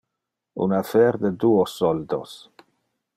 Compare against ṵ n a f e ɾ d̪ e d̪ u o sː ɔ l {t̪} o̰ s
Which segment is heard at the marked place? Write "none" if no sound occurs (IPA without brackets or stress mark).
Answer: d̪